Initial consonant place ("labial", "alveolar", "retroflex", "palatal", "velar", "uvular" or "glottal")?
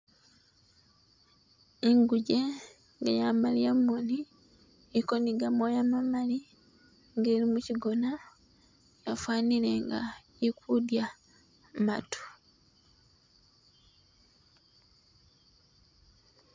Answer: velar